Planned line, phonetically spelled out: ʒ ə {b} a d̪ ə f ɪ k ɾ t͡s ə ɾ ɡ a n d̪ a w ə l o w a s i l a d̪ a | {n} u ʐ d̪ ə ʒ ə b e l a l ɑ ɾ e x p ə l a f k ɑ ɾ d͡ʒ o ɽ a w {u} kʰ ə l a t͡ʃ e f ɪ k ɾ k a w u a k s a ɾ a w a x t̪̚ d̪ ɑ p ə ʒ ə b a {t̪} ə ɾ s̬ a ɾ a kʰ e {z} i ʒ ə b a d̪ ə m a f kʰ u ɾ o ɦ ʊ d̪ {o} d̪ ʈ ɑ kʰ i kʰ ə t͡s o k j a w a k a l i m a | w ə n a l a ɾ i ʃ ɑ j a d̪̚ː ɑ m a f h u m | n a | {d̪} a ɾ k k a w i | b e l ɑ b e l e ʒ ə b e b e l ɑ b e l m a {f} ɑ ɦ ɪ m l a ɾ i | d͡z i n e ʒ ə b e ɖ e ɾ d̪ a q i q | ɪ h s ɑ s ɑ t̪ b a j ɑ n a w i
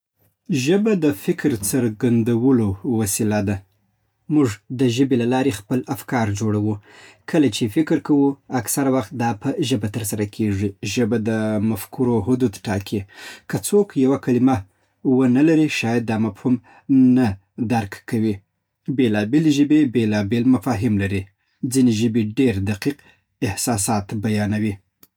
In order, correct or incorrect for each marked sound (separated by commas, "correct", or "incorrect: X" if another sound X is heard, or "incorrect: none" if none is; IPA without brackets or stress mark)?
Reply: correct, incorrect: m, correct, correct, incorrect: ʐ, incorrect: u, correct, correct